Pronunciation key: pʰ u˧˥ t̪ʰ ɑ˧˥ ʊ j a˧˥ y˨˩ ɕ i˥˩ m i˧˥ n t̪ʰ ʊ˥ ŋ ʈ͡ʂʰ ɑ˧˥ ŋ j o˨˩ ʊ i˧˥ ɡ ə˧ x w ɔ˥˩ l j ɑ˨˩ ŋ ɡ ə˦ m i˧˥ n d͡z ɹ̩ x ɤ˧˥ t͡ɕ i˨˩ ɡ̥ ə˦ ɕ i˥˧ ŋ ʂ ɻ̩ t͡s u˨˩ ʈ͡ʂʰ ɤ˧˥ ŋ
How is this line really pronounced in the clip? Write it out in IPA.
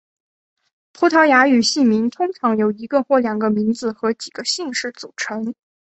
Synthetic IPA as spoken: pʰ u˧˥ t̪ʰ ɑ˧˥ ʊ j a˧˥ y˨˩ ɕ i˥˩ m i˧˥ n t̪ʰ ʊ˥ ŋ ʈ͡ʂʰ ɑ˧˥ ŋ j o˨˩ ʊ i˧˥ ɡ ə˧ x w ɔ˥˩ l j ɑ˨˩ ŋ ɡ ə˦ m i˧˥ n d͡z ɹ̩ x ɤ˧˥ t͡ɕ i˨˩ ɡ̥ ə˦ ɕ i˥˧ ŋ ʂ ɻ̩ t͡s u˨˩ ʈ͡ʂʰ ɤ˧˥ ŋ